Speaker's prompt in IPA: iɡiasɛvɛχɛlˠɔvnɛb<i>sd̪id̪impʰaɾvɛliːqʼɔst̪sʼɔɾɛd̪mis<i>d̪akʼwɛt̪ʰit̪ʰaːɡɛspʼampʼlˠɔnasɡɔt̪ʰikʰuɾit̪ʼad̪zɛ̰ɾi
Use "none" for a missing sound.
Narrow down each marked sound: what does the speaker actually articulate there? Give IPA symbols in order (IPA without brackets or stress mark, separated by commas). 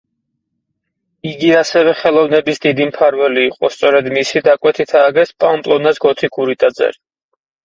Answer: i, i